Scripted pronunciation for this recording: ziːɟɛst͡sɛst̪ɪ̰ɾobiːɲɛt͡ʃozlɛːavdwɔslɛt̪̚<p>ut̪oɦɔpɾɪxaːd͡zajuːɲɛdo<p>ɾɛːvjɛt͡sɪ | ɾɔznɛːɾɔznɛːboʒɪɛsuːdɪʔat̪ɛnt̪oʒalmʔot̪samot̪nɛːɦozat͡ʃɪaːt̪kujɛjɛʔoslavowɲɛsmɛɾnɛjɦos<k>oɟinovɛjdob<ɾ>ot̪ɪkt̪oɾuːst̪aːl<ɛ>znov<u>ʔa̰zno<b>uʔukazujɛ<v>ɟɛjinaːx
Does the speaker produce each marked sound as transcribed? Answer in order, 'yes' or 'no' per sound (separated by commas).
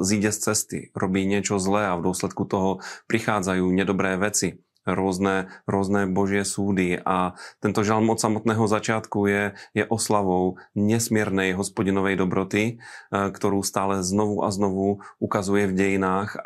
no, no, no, yes, yes, yes, no, yes